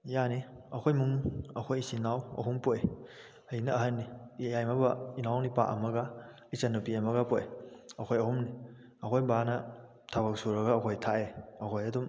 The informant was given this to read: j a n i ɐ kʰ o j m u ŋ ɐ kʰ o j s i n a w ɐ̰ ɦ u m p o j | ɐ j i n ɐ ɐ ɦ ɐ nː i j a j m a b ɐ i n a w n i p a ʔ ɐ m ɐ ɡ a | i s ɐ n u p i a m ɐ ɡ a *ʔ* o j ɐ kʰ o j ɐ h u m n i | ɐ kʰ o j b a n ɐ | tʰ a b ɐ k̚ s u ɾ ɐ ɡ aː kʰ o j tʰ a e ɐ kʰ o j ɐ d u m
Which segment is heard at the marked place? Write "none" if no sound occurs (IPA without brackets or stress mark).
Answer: p